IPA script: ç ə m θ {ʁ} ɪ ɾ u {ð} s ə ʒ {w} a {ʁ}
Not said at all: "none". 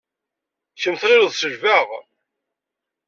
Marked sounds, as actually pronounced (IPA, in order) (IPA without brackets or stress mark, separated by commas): ʁ, ð, v, ʁ